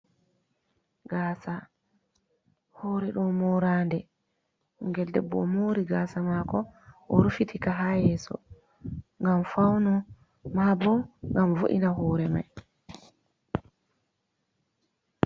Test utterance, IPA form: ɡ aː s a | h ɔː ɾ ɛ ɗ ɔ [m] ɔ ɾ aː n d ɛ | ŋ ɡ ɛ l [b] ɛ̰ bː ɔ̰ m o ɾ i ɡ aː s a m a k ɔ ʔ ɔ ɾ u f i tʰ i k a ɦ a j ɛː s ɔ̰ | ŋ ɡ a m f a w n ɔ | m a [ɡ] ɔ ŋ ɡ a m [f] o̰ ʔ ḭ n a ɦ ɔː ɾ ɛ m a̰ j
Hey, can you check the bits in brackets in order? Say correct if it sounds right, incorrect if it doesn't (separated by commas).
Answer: correct, incorrect, incorrect, incorrect